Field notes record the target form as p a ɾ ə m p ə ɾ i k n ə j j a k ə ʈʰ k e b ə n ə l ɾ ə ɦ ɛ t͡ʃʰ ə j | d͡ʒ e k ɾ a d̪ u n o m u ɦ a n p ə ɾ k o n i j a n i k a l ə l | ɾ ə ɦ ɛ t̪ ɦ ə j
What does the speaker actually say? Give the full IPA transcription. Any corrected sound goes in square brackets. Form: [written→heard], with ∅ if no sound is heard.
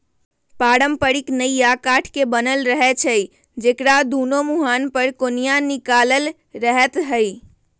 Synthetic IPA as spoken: p a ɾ ə m p ə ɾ i k n ə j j a k [ə→a] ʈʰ k e b ə n ə l ɾ ə ɦ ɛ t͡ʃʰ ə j | d͡ʒ e k ɾ a d̪ u n o m u ɦ a n p ə ɾ k o n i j a n i k a l ə l | ɾ ə ɦ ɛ t̪ ɦ ə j